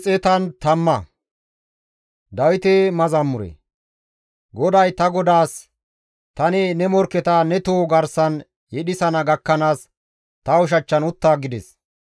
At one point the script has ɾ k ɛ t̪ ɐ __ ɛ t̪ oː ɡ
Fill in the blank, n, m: n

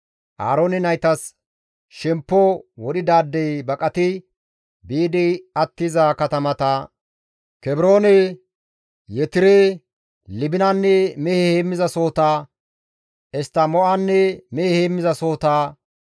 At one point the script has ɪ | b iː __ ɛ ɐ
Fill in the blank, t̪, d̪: d̪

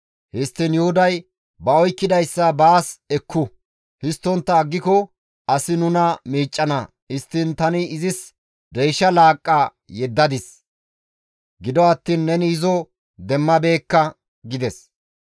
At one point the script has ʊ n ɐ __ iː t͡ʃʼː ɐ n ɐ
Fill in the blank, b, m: m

